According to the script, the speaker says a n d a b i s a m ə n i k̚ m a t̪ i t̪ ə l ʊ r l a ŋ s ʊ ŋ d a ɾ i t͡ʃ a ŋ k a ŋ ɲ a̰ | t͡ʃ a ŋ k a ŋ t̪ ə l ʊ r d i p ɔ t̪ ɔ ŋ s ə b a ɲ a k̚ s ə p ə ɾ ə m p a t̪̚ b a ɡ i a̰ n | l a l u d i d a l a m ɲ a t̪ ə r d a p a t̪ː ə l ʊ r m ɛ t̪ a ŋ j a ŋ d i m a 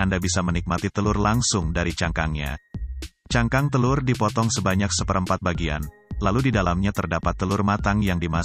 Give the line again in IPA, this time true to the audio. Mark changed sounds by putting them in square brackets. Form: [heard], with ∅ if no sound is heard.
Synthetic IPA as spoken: a n d a b i s a m ə n i k̚ m a t̪ i t̪ ə l ʊ r l a ŋ s ʊ ŋ d a ɾ i t͡ʃ a ŋ k a ŋ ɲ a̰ | t͡ʃ a ŋ k a ŋ t̪ ə l ʊ r d i p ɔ t̪ ɔ ŋ s ə b a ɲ a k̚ s ə p ə ɾ ə m p a t̪̚ b a ɡ i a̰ n | l a l u d i d a l a m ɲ a t̪ ə r d a p a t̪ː ə l ʊ r m [a] t̪ a ŋ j a ŋ d i m a